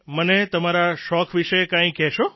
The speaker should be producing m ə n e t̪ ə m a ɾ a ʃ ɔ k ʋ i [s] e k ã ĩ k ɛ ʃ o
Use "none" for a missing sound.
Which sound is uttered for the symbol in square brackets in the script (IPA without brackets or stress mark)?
ʃ